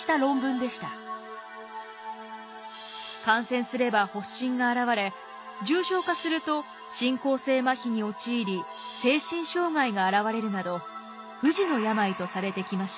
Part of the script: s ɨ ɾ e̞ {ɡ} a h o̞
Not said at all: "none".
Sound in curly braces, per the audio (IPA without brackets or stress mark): b